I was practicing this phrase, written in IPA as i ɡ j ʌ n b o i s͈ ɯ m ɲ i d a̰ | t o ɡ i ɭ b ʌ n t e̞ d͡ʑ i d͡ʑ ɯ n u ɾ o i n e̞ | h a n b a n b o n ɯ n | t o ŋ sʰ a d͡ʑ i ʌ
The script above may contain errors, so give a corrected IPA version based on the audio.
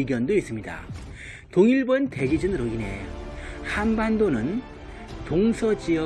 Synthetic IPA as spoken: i ɡ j ʌ n d o i s͈ ɯ m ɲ i d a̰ | t o ŋ i ɭ b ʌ n t e̞ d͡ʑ i d͡ʑ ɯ n ɯ ɾ o i n e̞ | h a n b a n d o n ɯ n | t o ŋ sʰ ʌ d͡ʑ i ʌ

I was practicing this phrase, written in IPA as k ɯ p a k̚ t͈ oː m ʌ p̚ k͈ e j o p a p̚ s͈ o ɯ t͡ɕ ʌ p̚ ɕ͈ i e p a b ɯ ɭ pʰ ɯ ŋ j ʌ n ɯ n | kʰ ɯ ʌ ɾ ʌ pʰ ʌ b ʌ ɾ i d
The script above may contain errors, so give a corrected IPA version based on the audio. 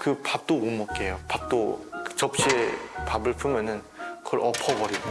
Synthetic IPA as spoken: k ɯ p a p̚ t͈ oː m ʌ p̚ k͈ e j o p a p̚ t͈ o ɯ t͡ɕ ʌ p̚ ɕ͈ i e p a b ɯ ɭ pʰ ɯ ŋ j ʌ n ɯ n | k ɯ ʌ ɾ ʌ pʰ ʌ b ʌ ɾ i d

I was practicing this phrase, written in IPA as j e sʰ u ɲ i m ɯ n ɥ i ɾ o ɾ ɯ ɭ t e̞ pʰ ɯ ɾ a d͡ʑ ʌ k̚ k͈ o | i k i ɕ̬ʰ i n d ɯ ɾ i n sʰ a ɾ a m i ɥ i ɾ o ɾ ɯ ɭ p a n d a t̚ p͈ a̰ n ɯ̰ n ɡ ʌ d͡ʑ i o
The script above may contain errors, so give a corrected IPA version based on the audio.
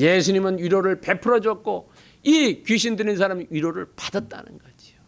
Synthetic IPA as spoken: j e sʰ u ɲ i m ɯ n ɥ i ɾ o ɾ ɯ ɭ p e̞ pʰ ɯ ɾ ʌ d͡ʑ ʌ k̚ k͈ o | i k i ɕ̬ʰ i n d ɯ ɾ i n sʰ a ɾ a m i ɥ i ɾ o ɾ ɯ ɭ p a d a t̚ t͈ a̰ n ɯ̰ n ɡ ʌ d͡ʑ i o

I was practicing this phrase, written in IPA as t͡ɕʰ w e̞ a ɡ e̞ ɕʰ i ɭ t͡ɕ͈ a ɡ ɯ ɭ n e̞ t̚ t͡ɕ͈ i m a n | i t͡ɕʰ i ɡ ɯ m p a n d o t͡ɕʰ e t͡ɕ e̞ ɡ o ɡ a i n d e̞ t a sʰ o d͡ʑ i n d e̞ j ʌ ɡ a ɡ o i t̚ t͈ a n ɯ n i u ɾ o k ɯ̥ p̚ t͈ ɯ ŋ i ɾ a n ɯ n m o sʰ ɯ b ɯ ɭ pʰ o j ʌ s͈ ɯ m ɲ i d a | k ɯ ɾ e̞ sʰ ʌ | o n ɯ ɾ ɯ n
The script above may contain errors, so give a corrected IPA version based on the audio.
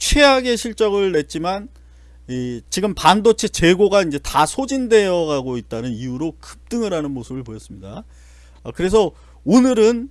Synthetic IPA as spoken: t͡ɕʰ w e̞ a ɡ e̞ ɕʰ i ɭ t͡ɕ͈ ʌ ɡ ɯ ɭ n e̞ t̚ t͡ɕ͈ i m a n | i t͡ɕ i ɡ ɯ m p a n d o t͡ɕʰ e t͡ɕ e̞ ɡ o ɡ a i n d͡ʑ e̞ t a sʰ o d͡ʑ i n d e̞ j ʌ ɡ a ɡ o i t̚ t͈ a n ɯ n i u ɾ o k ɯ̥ p̚ t͈ ɯ ŋ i ɾ a n ɯ n m o sʰ ɯ b ɯ ɭ p o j ʌ s͈ ɯ m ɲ i d a | k ɯ ɾ e̞ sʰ ʌ | o n ɯ ɾ ɯ n

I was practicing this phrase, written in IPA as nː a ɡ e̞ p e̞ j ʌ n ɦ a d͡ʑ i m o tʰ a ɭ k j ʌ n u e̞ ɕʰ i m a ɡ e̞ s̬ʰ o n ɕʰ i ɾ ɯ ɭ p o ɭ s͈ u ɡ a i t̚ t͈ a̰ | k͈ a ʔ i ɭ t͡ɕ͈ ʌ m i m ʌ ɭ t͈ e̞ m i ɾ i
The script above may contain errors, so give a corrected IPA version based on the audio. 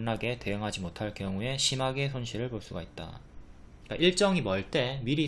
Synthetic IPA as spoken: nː a ɡ e̞ t e̞ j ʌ ŋ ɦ a d͡ʑ i m o tʰ a ɭ k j ʌ ŋ u e̞ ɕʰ i m a ɡ e̞ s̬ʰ o n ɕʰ i ɾ ɯ ɭ p o ɭ s͈ u ɡ a i t̚ t͈ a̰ | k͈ a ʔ i ɭ t͡ɕ͈ ʌ ŋ i m ʌ ɭ t͈ e̞ m i ɾ i

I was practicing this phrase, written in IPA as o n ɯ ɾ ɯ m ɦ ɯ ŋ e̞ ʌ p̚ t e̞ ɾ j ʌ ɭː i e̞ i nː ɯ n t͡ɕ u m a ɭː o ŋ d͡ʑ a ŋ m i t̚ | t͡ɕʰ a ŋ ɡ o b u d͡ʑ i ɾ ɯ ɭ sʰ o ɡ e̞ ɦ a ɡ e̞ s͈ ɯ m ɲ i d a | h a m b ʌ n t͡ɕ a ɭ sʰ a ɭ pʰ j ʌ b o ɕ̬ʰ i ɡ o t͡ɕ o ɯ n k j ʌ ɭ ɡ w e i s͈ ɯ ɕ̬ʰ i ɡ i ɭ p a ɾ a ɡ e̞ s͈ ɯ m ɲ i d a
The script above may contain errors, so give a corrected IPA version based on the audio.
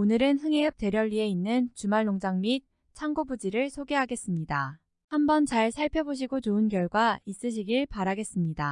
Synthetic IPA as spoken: o n ɯ ɾ ɯ n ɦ ɯ ŋ e̞ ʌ p̚ t e̞ ɾ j ʌ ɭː i e̞ i nː ɯ n t͡ɕ u m a ɭː o ŋ d͡ʑ a ŋ m i t̚ | t͡ɕʰ a ŋ ɡ o b u d͡ʑ i ɾ ɯ ɭ sʰ o ɡ e̞ ɦ a ɡ e̞ s͈ ɯ m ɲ i d a | h a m b ʌ n t͡ɕ a ɭ sʰ a ɭ pʰ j ʌ b o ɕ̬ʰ i ɡ o t͡ɕ o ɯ n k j ʌ ɭ ɡ w a i s͈ ɯ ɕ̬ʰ i ɡ i ɭ p a ɾ a ɡ e̞ s͈ ɯ m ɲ i d a

